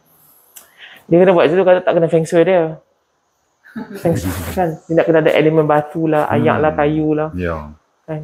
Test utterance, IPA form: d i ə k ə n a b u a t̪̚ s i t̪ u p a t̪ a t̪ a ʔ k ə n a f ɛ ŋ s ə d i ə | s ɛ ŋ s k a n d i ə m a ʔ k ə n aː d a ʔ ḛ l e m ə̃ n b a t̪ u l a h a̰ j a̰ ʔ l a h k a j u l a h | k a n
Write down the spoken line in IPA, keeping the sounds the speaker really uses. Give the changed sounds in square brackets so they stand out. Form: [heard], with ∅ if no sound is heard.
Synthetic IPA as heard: d i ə k ə n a b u a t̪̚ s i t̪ u [k] a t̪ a t̪ a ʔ k ə n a f ɛ ŋ s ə d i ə | [f] ɛ ŋ s k a n d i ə [n] a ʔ k ə n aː d a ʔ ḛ l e m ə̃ n b a t̪ u l a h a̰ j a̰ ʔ l a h k a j u l a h | k a n